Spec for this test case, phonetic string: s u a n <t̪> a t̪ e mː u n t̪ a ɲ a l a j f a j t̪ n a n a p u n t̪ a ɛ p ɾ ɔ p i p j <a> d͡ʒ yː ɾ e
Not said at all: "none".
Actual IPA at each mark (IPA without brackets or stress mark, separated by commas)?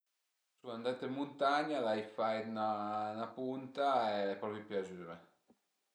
d̪, a